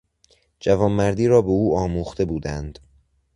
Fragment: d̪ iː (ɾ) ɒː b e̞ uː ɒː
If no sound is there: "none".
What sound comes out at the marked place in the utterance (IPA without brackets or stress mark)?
ɾ